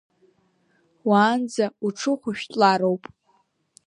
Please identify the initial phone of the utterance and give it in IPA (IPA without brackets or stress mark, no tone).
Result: w